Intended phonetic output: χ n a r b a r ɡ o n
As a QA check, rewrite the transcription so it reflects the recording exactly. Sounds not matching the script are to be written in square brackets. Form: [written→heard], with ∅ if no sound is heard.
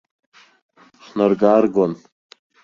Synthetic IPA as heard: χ n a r [b→ɡ] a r ɡ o n